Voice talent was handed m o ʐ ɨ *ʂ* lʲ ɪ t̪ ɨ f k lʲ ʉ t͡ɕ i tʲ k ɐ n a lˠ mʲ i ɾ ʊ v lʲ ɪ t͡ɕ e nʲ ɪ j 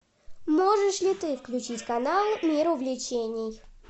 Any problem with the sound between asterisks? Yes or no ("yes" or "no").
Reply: no